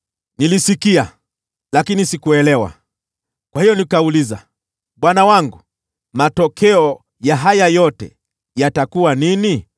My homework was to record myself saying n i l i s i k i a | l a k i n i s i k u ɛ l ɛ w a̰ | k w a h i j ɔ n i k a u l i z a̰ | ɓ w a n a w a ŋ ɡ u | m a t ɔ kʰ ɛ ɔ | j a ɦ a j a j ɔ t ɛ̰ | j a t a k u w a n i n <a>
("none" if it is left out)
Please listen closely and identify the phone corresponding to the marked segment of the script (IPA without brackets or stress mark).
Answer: i